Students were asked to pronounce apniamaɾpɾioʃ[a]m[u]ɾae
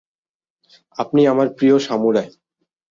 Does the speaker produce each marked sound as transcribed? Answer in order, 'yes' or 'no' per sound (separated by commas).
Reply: yes, yes